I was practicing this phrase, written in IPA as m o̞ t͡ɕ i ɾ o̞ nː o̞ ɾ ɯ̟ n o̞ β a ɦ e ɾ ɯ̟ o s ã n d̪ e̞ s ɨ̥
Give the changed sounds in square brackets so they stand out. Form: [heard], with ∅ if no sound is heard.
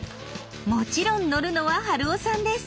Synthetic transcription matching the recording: m o̞ t͡ɕ i ɾ [õ̞] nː o̞ ɾ ɯ̟ n o̞ β a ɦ [a] ɾ ɯ̟ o s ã n d̪ e̞ s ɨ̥